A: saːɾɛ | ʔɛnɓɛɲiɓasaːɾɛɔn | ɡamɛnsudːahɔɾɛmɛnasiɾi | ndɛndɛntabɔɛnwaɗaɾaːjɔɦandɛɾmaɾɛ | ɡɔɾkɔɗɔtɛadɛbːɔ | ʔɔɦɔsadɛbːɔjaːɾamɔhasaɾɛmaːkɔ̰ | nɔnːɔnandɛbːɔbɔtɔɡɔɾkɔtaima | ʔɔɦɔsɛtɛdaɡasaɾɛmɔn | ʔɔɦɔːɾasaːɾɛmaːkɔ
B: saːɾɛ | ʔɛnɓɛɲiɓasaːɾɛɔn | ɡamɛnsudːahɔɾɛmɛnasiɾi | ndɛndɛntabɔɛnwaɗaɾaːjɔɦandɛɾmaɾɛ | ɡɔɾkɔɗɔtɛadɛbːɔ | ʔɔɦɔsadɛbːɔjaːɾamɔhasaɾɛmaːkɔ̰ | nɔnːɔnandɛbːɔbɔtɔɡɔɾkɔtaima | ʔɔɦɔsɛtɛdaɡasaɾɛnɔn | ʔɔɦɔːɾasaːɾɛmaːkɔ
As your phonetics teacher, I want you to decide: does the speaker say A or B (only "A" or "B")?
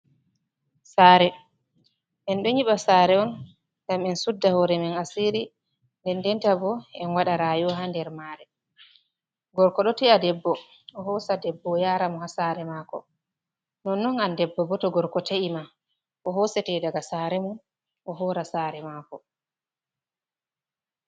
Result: A